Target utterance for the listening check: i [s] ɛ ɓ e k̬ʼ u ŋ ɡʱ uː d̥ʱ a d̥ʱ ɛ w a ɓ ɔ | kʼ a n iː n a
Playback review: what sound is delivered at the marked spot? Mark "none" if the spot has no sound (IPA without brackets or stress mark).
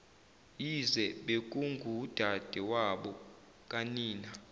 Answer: z